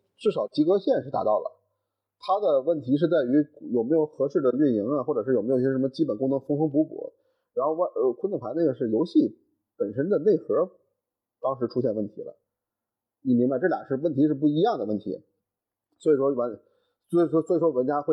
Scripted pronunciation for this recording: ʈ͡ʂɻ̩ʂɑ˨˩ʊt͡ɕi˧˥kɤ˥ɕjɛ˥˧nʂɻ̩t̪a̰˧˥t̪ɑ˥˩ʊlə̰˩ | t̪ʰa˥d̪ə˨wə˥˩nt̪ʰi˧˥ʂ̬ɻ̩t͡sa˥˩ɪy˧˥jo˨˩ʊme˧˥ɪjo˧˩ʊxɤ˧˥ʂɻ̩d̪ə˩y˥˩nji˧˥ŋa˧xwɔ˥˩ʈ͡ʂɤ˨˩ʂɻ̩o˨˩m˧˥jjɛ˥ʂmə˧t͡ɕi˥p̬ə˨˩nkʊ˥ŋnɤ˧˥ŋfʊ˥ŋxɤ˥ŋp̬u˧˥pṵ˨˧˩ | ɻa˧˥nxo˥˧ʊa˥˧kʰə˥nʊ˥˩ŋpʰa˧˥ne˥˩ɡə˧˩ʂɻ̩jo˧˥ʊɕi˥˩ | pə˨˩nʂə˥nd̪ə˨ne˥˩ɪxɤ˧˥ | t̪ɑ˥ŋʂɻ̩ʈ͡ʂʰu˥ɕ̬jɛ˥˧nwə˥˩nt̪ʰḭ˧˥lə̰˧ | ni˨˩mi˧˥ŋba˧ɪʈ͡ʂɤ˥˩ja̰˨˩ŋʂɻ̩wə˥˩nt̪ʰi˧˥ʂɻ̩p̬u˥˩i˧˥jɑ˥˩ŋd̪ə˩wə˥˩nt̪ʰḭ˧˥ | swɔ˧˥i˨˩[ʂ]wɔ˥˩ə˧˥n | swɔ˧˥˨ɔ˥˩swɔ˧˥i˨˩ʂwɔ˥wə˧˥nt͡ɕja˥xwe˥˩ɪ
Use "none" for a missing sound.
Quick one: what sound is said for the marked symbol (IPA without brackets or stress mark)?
ʂ